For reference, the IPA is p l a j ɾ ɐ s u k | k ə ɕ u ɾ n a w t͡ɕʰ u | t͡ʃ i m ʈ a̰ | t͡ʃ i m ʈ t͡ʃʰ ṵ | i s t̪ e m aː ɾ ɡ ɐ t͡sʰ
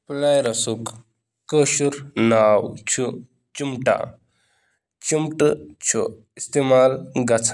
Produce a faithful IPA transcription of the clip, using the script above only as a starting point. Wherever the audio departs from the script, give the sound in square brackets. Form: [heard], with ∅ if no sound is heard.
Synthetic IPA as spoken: p l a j ɾ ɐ s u k | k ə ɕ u ɾ n a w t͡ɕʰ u | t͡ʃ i m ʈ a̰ | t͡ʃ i m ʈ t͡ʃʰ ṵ | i s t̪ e m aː [l] ɡ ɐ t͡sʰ